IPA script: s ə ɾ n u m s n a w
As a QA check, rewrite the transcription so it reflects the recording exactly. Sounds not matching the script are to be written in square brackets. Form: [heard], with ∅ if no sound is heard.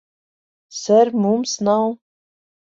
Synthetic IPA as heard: s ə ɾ [m] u m s n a w